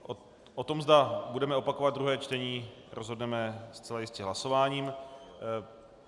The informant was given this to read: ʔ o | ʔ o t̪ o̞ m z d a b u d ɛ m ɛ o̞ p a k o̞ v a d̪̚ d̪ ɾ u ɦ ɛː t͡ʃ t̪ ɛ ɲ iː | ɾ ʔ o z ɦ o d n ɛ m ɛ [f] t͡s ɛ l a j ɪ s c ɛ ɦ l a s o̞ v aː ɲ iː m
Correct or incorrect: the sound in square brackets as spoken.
incorrect: s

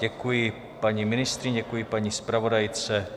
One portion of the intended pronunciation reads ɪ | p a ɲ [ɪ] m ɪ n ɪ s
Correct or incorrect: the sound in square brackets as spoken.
incorrect: i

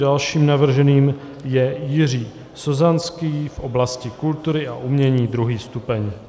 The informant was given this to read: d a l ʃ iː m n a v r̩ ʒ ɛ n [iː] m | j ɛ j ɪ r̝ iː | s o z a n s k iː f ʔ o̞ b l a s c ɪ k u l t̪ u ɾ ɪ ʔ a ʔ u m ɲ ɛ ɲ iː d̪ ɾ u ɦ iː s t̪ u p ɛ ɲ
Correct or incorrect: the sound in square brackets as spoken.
correct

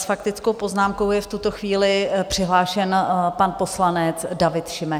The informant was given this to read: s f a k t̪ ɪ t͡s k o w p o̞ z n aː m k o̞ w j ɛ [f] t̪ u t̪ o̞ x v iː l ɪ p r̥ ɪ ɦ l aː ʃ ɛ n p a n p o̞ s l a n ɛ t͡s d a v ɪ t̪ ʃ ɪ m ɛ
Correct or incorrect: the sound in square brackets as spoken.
correct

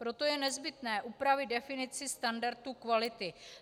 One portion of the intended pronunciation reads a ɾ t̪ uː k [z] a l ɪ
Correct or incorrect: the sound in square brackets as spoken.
incorrect: v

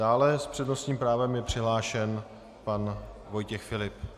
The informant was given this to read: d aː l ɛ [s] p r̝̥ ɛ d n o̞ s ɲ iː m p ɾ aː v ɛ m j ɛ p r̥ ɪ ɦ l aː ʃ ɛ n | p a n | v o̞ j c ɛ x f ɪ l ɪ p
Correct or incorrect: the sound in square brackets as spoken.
correct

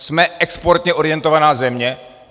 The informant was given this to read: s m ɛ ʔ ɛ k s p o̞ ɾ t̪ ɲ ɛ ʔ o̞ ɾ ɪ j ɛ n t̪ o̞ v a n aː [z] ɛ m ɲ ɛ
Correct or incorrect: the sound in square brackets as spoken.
correct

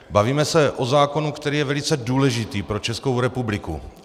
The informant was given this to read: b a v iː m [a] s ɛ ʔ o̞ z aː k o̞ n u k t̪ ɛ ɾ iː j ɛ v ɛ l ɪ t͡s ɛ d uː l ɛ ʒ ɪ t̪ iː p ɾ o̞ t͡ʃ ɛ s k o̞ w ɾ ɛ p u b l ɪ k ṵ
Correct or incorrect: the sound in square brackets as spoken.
incorrect: ɛ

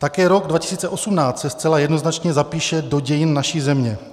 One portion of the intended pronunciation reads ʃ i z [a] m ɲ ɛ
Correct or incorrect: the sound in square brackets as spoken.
incorrect: ɛ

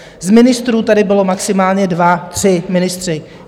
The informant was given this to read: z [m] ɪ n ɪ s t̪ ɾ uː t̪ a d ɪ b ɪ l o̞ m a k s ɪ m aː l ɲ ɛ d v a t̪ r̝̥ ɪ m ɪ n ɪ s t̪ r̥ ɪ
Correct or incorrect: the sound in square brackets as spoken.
correct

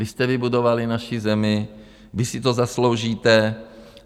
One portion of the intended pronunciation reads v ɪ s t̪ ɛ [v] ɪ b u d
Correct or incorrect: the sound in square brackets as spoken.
correct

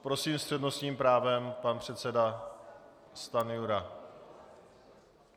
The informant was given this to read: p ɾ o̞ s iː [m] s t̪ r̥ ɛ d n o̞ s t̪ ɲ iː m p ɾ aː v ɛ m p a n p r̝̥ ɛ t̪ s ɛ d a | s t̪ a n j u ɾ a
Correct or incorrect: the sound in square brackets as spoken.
correct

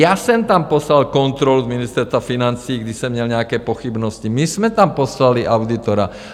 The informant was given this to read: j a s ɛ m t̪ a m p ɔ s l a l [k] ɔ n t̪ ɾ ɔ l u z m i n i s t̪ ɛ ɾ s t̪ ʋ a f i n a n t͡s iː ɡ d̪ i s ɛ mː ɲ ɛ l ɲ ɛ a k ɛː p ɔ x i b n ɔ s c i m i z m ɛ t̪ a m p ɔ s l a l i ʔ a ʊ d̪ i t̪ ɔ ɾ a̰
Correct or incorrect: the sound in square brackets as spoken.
correct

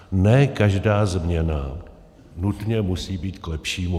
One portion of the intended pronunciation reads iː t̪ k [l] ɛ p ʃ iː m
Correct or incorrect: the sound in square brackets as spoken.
correct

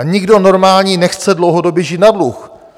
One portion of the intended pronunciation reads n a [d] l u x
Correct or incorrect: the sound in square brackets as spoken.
correct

